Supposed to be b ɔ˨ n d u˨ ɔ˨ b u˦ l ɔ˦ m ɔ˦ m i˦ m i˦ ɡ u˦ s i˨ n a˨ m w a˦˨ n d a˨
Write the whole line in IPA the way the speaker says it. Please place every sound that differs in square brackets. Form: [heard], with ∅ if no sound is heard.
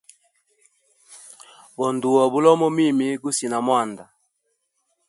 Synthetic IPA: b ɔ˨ n d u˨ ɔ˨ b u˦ l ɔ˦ m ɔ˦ m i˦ m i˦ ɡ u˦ s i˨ n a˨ m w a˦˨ n d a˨